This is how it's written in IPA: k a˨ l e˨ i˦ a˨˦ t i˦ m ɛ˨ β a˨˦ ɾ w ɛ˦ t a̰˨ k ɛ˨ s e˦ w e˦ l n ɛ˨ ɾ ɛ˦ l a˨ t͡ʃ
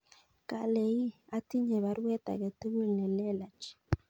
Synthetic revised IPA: k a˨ l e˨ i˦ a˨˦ t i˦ ɲ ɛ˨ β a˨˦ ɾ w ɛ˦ t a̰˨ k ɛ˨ t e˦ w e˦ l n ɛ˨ l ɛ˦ l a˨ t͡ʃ